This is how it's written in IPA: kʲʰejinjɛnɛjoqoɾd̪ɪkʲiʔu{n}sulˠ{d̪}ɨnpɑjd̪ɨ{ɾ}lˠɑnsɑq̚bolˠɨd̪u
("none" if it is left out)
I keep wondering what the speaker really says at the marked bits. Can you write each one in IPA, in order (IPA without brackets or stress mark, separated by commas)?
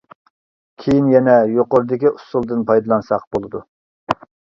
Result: none, d̪, none